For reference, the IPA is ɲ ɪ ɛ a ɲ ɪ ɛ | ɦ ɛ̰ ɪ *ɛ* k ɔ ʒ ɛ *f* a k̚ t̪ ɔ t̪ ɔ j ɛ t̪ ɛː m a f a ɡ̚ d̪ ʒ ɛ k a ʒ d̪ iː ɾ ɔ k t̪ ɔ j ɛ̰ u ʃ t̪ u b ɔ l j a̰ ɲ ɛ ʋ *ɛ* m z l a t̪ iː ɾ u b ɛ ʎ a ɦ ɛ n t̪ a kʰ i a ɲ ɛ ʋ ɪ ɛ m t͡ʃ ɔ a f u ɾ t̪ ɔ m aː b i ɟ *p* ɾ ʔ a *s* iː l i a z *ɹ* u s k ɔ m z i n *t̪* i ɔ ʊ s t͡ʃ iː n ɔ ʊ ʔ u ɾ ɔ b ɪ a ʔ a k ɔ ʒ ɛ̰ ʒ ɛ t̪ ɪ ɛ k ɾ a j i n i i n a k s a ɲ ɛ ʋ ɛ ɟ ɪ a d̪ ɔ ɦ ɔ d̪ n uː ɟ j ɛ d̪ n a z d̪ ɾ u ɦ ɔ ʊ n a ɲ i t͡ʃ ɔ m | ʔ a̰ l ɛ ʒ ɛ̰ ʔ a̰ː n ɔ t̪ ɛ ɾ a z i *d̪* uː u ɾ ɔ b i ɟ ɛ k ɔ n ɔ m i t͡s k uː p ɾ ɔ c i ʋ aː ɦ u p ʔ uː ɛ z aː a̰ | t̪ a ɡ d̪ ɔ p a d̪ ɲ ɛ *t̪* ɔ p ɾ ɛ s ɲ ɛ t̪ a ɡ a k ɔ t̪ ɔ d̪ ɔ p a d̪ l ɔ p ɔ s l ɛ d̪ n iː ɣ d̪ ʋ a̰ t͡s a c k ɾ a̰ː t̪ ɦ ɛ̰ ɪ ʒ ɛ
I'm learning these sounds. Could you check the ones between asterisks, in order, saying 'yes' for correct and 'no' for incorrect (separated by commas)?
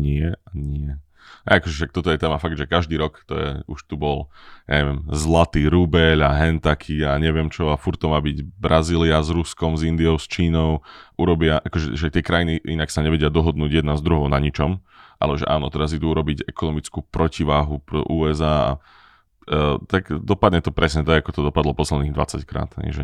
no, no, yes, no, no, no, no, yes, yes